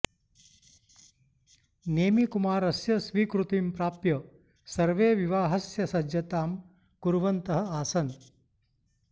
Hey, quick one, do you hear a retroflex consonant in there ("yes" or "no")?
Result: no